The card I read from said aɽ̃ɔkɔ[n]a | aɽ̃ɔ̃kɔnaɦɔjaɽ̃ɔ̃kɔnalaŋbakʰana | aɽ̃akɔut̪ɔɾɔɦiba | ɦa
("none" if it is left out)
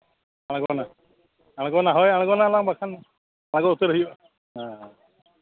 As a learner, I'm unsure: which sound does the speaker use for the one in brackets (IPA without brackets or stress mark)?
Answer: n